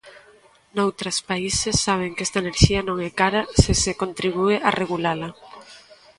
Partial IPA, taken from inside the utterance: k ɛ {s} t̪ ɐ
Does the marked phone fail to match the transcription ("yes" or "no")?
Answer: no